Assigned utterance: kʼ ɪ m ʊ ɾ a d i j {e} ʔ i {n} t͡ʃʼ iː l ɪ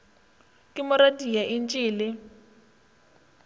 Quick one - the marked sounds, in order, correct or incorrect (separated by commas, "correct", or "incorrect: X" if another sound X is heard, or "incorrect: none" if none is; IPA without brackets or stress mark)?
incorrect: a, correct